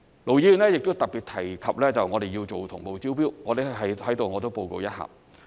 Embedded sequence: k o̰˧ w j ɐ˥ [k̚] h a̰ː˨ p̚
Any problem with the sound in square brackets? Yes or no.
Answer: yes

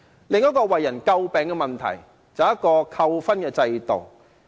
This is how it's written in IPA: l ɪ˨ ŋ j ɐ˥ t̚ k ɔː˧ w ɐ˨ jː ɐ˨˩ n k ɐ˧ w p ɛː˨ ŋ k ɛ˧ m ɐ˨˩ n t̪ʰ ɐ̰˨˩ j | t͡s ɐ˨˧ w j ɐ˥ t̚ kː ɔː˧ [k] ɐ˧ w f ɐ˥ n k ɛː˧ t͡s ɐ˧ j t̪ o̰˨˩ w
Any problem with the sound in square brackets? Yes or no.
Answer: yes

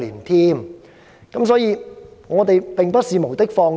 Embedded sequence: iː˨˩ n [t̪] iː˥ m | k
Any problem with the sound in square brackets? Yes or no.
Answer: yes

